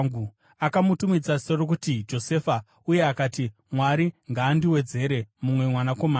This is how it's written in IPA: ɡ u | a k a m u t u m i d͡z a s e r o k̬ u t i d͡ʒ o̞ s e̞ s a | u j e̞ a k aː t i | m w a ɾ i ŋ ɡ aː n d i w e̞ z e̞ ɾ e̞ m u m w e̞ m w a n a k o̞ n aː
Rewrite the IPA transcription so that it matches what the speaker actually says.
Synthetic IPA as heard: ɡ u | a k a m u t u m i d͡z a s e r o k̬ u t i d͡ʒ o̞ s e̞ f a | u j e̞ a k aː t i | m w a ɾ i ŋ ɡ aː n d i w e̞ d͡z e̞ ɾ e̞ m u m w e̞ m w a n a k o̞ m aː